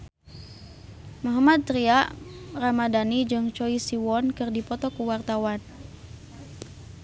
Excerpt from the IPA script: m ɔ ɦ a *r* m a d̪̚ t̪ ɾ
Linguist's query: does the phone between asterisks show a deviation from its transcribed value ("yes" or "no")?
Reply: yes